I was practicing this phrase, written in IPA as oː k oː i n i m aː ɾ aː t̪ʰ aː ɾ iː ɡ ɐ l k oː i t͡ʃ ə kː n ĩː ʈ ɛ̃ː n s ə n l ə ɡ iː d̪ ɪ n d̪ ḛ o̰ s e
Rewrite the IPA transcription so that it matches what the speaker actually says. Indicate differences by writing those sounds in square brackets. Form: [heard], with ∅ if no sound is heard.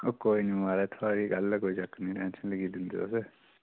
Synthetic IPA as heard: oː k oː i n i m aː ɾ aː t̪ʰ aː ɾ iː ɡ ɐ l k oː i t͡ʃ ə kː n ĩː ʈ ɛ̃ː n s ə n l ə ɡ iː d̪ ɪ n d̪ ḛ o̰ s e